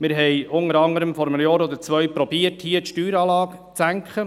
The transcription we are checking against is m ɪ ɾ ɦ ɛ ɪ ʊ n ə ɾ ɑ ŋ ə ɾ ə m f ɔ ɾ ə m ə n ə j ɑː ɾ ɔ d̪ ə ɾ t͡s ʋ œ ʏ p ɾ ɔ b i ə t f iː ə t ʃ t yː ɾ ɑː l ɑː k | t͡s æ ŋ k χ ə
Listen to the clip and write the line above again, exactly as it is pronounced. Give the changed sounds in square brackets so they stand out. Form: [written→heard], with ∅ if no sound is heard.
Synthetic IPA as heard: m ɪ ɾ ɦ ɛ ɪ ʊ n ə ɾ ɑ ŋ ə ɾ ə m f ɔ ɾ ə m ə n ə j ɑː ɾ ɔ d̪ ə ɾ t͡s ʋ œ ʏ p ɾ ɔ b i ə t [f→h] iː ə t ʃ t yː ɾ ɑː l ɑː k | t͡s æ ŋ k χ ə